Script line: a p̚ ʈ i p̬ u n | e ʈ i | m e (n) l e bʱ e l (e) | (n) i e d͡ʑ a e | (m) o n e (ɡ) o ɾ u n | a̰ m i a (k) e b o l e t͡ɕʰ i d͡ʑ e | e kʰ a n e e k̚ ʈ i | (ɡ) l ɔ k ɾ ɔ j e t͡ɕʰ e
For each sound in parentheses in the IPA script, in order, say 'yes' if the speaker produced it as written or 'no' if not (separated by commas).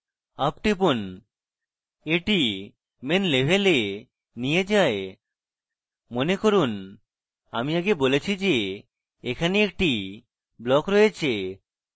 yes, yes, yes, yes, no, no, no